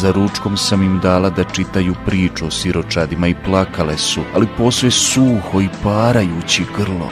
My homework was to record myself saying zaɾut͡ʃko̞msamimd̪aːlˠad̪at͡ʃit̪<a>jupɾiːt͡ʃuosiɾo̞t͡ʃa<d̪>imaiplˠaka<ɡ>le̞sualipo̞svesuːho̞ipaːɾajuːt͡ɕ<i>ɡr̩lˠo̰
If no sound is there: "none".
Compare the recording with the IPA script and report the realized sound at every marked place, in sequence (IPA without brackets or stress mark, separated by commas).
a, d̪, none, i